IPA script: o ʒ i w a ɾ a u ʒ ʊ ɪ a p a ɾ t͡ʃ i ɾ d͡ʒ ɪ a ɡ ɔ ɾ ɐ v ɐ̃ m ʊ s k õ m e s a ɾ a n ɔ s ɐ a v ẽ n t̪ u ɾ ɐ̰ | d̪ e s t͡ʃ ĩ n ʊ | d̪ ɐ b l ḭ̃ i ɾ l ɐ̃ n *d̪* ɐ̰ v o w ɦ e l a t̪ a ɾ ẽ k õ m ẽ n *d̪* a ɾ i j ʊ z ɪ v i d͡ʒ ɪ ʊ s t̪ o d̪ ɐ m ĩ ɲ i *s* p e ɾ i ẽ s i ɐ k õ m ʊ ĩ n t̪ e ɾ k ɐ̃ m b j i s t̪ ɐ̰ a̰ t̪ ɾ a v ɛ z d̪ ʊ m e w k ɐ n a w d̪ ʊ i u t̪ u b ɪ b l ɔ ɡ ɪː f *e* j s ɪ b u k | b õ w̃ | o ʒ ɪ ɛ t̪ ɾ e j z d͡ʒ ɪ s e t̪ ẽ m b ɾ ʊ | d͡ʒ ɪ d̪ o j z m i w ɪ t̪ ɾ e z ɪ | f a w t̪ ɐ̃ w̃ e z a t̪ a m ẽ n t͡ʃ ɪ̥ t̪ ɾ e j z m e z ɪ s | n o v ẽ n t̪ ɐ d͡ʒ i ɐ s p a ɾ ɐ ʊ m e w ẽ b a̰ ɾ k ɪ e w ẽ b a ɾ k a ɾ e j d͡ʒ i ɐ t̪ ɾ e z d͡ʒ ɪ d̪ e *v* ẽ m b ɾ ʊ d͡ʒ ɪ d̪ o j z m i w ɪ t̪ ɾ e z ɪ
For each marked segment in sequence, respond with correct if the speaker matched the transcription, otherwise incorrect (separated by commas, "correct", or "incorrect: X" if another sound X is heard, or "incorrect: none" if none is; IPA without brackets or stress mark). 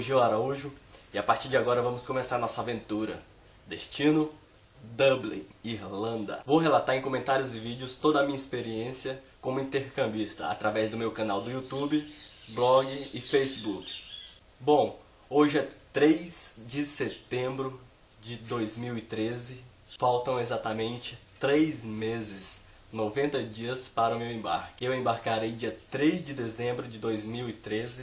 correct, incorrect: t̪, correct, correct, incorrect: z